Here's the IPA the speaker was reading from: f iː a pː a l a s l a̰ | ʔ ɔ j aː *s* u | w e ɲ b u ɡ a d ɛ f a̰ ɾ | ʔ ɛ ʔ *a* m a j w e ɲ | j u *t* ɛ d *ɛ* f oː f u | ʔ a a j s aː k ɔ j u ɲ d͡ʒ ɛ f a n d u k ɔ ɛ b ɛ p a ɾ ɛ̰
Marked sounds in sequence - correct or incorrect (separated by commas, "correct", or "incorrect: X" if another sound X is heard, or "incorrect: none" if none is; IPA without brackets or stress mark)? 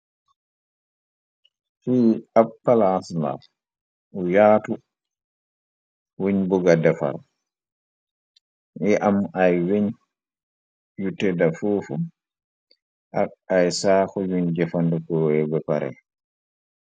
incorrect: t, correct, correct, incorrect: a